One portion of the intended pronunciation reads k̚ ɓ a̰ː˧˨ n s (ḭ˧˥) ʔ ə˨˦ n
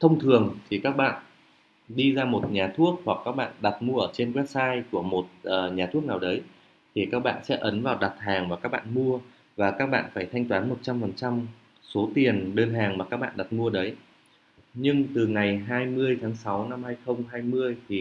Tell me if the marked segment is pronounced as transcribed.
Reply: no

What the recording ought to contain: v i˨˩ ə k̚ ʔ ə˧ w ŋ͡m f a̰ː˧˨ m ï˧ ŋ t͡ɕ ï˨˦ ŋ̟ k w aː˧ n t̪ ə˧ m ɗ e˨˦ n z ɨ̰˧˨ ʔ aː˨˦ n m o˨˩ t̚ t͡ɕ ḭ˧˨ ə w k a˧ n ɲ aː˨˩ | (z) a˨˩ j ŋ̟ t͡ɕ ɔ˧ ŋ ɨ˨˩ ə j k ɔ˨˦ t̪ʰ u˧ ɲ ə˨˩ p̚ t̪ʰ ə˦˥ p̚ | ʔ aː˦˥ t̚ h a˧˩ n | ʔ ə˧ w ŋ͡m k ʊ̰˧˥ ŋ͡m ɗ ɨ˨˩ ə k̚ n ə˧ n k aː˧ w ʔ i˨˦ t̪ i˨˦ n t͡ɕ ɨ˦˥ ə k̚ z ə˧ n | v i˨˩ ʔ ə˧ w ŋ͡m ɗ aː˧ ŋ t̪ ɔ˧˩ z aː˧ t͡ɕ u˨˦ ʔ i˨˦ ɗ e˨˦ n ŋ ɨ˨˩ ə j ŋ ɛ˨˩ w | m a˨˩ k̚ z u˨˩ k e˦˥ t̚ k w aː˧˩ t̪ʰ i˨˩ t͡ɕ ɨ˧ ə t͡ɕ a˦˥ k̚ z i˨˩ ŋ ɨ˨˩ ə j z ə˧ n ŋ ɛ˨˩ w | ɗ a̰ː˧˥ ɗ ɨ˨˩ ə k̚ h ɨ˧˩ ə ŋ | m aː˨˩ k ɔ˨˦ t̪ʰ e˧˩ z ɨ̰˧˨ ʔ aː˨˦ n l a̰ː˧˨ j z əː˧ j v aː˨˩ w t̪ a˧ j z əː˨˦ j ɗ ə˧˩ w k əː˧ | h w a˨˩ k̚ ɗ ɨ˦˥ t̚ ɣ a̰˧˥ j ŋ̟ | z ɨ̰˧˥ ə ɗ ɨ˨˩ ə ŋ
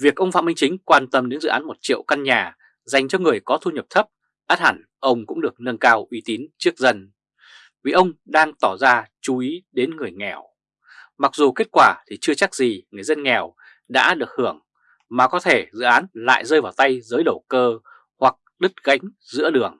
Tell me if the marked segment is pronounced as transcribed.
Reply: yes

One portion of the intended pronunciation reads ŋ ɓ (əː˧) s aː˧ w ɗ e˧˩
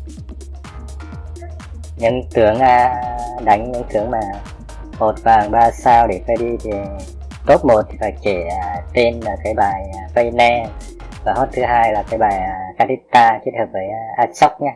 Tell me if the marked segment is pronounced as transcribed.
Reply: no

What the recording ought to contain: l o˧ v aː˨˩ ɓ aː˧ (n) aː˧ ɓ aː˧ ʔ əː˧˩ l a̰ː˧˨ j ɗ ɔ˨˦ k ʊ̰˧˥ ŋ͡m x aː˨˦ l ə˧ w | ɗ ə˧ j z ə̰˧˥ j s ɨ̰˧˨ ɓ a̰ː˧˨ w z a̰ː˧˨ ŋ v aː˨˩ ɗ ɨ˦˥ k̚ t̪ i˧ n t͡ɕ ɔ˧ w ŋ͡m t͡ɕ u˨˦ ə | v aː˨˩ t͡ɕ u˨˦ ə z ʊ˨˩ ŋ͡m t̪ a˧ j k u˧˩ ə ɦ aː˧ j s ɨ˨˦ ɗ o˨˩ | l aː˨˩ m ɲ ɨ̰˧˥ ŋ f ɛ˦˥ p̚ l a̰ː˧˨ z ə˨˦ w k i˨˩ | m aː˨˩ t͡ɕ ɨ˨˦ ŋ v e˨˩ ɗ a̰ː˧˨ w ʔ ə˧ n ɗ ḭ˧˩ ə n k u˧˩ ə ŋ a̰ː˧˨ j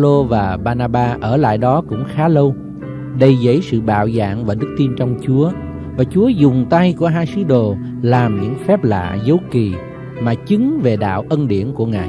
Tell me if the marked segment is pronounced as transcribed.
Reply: yes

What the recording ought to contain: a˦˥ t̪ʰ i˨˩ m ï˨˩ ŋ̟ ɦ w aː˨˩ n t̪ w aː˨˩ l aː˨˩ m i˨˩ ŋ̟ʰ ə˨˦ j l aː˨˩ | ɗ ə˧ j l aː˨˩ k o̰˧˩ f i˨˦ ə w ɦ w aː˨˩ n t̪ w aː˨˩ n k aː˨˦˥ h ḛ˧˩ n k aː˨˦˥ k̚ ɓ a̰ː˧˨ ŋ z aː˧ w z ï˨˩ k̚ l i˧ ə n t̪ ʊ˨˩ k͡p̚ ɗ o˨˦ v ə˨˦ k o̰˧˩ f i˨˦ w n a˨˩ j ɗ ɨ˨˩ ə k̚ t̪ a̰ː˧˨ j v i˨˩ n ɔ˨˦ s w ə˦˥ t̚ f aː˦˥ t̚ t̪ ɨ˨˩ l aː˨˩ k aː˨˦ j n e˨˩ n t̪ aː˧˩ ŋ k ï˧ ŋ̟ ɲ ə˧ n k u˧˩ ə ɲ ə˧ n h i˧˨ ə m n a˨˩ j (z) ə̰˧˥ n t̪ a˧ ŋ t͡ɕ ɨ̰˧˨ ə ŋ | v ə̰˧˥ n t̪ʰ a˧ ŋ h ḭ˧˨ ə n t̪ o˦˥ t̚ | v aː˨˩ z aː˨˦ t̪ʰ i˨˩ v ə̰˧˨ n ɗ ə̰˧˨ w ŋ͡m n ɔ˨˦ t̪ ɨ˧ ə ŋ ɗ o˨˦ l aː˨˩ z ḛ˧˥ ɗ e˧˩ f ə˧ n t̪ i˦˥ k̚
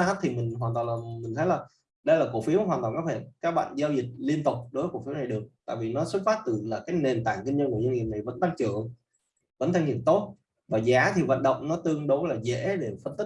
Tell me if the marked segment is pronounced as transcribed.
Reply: no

